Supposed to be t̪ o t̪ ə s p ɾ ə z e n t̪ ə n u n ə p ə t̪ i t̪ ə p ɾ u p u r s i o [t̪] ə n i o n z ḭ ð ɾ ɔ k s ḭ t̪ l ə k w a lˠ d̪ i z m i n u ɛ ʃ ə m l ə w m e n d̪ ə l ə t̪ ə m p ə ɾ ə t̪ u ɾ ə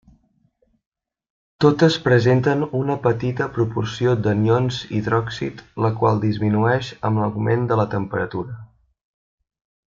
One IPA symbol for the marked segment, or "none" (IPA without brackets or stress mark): d̪